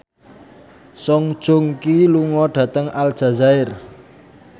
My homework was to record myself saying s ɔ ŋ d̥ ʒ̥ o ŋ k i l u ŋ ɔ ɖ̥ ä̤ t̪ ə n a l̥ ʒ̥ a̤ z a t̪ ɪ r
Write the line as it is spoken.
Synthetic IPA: s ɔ ŋ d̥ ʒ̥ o ŋ k i l u ŋ ɔ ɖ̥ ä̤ t̪ ə ŋ a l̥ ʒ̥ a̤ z a ɪ r